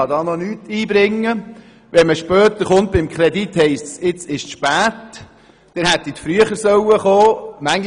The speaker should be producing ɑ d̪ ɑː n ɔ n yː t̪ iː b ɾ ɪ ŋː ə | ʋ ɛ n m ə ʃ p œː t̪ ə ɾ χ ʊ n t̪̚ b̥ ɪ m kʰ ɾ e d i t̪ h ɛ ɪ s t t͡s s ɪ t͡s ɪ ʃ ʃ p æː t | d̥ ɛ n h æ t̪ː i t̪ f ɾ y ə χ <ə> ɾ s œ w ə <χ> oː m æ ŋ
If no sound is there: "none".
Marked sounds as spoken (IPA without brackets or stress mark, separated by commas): ə, χ